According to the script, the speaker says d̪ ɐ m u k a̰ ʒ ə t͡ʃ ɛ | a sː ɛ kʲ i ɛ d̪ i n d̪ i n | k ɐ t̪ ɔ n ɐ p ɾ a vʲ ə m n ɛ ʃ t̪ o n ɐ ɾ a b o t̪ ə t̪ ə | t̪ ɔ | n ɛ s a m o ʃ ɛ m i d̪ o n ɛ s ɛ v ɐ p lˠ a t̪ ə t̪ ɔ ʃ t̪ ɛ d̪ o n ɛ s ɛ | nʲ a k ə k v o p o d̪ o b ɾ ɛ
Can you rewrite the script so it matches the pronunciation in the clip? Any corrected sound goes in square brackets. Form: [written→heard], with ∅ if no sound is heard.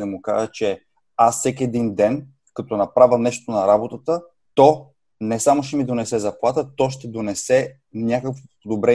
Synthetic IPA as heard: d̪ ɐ m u k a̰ ʒ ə t͡ʃ ɛ | a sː ɛ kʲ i ɛ d̪ i n d̪ [i→ɛ] n | k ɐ t̪ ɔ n ɐ p ɾ a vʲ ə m n ɛ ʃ t̪ o n ɐ ɾ a b o t̪ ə t̪ ə | t̪ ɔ | n ɛ s a m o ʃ ɛ m i d̪ o n ɛ s ɛ [v→z] ɐ p lˠ a t̪ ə t̪ ɔ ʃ t̪ ɛ d̪ o n ɛ s ɛ | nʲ a k ə k v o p o d̪ o b ɾ ɛ